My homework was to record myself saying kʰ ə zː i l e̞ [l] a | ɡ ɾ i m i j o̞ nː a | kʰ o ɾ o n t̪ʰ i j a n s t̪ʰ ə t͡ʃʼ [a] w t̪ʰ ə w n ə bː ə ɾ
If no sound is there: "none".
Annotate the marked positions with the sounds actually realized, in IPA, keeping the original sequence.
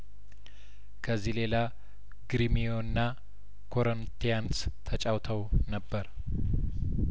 l, a

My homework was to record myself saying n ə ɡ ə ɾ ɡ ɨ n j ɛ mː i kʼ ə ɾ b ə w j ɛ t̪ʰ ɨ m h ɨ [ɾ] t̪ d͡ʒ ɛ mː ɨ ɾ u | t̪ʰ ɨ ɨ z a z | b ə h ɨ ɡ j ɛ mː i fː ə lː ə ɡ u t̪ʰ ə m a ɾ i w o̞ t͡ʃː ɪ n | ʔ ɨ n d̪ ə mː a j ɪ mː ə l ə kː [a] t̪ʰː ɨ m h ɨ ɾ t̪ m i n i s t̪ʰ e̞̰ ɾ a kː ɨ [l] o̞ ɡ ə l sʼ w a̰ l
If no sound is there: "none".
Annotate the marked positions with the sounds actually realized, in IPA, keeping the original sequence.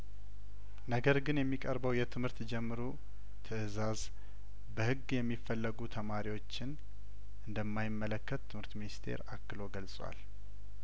ɾ, ə, l

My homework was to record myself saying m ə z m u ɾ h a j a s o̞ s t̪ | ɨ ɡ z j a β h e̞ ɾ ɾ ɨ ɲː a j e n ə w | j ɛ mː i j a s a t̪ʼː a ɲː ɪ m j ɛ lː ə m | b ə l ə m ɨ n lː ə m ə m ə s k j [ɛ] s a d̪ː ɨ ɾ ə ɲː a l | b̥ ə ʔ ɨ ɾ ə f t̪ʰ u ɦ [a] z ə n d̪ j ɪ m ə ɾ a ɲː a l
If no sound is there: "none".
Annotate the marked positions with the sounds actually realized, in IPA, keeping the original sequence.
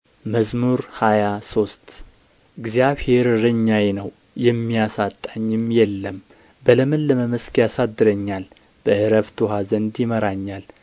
a, a

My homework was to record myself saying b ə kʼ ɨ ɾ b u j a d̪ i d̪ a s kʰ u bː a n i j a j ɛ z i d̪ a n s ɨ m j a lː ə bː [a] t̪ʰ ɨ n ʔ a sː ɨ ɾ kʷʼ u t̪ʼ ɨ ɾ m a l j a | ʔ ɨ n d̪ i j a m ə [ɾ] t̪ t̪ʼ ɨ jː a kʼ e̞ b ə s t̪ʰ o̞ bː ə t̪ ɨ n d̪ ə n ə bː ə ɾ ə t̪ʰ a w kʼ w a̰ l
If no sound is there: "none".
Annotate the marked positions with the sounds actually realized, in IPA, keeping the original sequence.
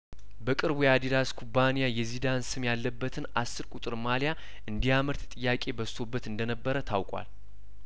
ə, ɾ

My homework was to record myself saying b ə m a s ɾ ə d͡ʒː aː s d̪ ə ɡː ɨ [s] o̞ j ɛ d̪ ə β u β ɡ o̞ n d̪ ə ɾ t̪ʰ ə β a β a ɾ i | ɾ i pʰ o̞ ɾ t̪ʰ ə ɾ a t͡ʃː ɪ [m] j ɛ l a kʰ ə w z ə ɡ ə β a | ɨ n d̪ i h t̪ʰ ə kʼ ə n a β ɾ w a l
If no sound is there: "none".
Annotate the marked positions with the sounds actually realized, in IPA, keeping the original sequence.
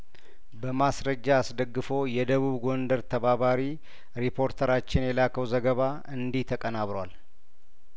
f, n

